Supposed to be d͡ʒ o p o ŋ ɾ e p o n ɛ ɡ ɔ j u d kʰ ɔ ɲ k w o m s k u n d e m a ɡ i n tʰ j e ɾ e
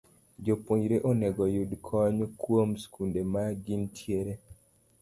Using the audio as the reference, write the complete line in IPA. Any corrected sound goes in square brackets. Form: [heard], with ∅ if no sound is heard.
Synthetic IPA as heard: d͡ʒ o p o [ɲ] ɾ e [ʔ] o n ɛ ɡ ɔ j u d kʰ ɔ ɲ k w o m s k u n d e m a ɡ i n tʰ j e ɾ e